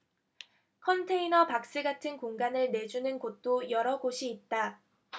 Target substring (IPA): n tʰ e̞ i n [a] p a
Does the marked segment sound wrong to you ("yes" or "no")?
yes